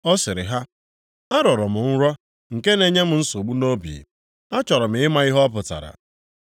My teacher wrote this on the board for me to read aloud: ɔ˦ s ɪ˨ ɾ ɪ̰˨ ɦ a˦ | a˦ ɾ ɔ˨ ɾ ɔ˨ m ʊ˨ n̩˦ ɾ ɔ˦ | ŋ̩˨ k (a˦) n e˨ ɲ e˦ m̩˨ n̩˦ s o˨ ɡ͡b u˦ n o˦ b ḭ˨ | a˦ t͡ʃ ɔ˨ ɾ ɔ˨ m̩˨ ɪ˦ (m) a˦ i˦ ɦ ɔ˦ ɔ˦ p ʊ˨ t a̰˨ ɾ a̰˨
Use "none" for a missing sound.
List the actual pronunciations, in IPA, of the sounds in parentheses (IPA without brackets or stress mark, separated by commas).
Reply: e˦, m